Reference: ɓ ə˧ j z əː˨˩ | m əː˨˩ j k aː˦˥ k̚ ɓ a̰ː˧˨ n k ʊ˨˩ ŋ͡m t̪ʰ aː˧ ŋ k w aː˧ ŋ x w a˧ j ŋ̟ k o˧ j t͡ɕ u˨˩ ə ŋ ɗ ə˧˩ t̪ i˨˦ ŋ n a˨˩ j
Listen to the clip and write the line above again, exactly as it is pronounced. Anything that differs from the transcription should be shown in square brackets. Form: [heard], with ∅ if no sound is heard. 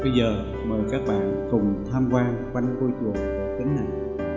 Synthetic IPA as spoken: ɓ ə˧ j z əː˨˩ | m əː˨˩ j k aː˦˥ k̚ ɓ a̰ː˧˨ n k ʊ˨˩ ŋ͡m t̪ʰ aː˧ [m] k w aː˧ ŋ [k] w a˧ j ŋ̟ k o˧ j t͡ɕ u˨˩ ə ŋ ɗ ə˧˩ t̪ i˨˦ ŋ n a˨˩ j